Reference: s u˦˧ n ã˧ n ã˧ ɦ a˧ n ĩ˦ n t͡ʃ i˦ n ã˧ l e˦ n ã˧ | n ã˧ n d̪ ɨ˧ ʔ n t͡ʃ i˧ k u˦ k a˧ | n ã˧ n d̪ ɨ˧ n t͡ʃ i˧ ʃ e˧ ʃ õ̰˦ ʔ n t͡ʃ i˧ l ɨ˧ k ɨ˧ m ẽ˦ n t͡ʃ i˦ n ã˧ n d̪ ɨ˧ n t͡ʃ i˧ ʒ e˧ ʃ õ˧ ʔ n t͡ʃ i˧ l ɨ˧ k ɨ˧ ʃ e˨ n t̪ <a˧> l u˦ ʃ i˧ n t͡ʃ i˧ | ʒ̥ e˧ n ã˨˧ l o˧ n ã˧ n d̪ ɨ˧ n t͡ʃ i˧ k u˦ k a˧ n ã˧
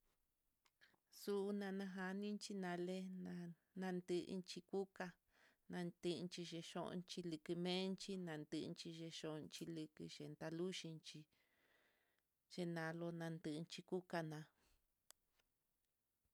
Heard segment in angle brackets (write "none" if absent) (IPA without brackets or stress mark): a˧